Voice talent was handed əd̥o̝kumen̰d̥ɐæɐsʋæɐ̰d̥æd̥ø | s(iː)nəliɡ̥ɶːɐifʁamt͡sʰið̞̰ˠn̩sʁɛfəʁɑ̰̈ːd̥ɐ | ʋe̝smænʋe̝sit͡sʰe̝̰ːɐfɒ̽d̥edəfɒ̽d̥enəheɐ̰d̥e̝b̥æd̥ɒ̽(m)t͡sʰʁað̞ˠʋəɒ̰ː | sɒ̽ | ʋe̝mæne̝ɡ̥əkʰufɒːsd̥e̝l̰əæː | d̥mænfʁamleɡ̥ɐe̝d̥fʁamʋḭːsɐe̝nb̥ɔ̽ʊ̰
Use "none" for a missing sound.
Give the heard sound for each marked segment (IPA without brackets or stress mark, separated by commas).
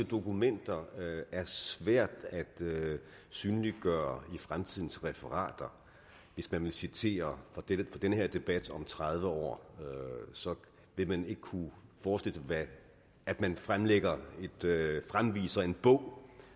yː, m